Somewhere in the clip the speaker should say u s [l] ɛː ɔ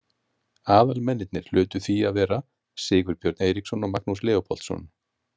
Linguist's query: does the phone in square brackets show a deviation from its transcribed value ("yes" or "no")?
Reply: no